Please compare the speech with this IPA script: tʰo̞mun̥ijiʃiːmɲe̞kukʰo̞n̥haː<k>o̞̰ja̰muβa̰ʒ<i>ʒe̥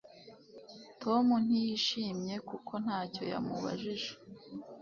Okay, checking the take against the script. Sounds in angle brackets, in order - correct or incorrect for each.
incorrect: c, correct

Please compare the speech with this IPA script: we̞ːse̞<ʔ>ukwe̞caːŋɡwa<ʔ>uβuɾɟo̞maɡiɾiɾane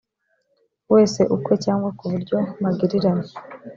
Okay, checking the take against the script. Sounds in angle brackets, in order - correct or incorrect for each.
correct, incorrect: k

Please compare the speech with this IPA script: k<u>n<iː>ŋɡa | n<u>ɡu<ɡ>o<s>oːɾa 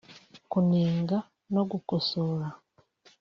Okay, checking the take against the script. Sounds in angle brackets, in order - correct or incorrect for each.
correct, correct, incorrect: o, incorrect: k, correct

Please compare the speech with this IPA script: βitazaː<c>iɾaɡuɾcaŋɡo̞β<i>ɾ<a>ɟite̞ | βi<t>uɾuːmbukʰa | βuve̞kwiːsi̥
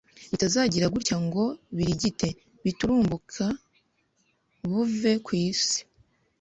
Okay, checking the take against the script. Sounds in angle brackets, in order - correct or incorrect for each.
incorrect: ɟ, correct, incorrect: i, correct

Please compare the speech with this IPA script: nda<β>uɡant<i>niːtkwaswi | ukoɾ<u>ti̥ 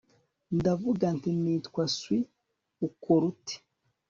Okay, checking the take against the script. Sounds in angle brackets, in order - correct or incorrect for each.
incorrect: v, correct, correct

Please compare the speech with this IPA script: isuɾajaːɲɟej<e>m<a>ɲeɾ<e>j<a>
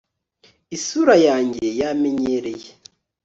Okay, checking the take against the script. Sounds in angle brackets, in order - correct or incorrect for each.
incorrect: a, incorrect: e, correct, incorrect: e

